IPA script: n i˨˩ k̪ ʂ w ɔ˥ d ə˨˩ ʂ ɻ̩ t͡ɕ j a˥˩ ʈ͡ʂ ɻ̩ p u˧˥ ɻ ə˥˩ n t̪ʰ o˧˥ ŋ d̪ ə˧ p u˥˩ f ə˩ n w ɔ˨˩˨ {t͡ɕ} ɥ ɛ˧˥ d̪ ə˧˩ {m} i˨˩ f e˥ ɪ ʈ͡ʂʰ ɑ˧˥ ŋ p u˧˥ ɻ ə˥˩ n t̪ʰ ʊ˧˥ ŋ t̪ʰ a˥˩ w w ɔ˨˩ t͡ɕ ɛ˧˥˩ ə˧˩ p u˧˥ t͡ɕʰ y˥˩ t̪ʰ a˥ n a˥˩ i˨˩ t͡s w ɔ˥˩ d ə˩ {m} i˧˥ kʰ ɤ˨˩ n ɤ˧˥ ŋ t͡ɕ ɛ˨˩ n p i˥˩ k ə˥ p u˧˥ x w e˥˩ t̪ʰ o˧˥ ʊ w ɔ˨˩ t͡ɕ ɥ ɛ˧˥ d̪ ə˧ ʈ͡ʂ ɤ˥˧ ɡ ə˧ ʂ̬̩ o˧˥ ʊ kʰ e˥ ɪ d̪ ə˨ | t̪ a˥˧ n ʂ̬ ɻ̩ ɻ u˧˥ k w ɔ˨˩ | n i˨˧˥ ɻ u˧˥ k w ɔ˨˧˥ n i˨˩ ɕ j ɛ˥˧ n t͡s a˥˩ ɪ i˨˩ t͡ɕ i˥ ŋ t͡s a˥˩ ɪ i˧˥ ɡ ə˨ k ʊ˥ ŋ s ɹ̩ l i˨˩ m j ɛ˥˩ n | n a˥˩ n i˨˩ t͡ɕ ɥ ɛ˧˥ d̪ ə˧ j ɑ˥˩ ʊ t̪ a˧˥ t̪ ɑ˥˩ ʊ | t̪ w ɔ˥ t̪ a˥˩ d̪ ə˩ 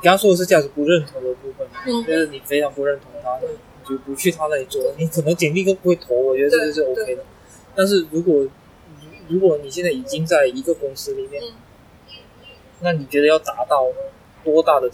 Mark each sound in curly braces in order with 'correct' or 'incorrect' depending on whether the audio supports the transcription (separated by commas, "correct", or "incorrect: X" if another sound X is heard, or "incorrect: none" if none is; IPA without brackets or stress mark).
correct, incorrect: n, incorrect: n